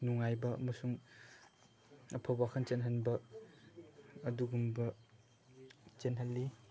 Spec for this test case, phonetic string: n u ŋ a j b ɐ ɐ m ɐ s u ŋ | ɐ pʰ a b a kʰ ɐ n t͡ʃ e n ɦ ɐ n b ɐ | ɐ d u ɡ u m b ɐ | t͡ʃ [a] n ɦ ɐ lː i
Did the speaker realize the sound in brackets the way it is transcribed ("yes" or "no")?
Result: no